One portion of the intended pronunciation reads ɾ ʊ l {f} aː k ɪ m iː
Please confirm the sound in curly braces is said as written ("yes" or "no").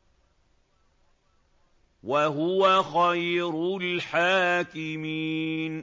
no